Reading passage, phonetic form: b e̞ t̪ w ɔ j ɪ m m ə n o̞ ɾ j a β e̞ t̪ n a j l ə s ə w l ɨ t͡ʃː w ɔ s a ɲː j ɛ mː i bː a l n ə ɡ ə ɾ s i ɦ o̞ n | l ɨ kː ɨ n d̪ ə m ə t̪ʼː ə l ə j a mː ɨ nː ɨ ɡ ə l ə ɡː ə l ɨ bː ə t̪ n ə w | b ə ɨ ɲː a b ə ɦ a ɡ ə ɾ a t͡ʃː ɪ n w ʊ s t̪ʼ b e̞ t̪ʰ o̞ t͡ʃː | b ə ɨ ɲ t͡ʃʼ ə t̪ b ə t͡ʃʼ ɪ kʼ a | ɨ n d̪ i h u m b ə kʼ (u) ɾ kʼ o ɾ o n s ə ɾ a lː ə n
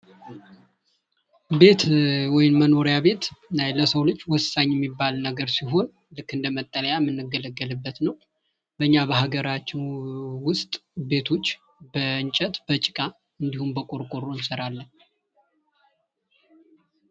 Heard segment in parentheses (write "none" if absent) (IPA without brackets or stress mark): o